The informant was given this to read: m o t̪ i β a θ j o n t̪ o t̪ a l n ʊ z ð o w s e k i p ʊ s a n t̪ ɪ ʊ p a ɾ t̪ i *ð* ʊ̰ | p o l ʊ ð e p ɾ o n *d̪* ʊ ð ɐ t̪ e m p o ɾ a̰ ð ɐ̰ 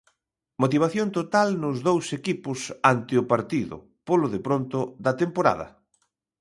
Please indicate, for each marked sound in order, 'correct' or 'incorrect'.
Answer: correct, incorrect: t̪

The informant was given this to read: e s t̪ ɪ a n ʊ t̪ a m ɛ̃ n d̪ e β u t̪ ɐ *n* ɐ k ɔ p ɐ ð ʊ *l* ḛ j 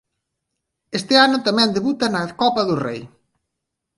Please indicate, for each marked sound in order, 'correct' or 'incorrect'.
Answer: correct, incorrect: r

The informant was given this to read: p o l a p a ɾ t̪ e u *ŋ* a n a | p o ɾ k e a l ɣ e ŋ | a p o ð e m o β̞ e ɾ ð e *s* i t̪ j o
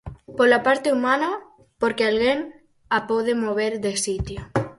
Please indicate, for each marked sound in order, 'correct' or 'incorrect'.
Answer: incorrect: m, correct

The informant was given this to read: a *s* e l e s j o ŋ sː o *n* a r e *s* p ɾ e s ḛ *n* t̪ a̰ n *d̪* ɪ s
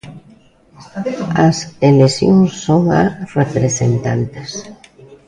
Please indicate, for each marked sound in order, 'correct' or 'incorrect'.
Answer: correct, incorrect: ŋ, incorrect: none, correct, incorrect: t̪

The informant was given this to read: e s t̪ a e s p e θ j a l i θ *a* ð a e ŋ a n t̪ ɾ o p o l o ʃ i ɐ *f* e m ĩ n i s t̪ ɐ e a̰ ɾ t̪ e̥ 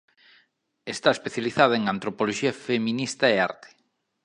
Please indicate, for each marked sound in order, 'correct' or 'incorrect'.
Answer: correct, correct

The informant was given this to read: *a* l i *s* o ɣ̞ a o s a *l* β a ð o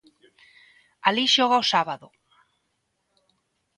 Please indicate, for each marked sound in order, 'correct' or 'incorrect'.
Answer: correct, incorrect: ʃ, incorrect: none

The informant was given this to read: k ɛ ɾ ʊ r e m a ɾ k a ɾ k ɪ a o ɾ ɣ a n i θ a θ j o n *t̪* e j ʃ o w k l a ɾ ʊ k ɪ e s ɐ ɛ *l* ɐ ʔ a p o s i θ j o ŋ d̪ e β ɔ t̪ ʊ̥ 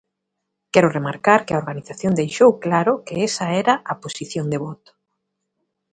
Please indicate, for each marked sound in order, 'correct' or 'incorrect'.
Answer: incorrect: d̪, incorrect: ɾ

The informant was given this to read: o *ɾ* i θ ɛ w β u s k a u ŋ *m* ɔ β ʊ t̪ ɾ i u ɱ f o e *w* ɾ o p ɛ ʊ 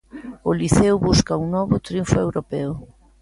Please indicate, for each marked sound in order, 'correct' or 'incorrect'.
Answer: incorrect: l, incorrect: n, correct

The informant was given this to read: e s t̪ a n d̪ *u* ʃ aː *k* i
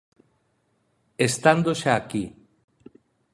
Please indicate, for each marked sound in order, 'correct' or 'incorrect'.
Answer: incorrect: o, correct

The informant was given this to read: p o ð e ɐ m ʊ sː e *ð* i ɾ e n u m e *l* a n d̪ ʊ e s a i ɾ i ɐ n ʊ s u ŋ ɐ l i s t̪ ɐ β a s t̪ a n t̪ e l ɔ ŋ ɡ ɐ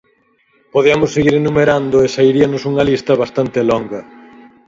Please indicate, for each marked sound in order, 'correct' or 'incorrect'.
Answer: incorrect: ɣ, incorrect: ɾ

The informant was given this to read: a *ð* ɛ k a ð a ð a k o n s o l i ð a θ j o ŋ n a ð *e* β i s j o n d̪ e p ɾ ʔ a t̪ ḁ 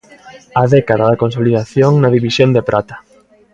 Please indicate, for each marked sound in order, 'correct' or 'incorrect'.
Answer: correct, incorrect: i

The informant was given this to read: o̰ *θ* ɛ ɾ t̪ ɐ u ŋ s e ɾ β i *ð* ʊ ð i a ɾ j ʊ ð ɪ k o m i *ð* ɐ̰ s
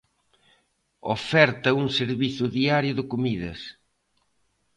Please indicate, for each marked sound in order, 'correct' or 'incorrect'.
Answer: incorrect: f, incorrect: θ, correct

